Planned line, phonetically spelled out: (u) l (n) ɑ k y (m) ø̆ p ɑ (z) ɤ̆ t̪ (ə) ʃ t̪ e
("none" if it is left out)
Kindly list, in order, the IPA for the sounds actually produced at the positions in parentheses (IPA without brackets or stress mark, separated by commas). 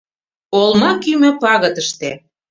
o, m, m, ɣ, ə